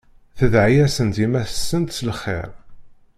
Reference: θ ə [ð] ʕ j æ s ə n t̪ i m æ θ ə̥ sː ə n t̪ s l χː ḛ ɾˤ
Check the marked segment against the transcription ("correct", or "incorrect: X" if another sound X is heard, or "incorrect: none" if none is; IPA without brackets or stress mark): correct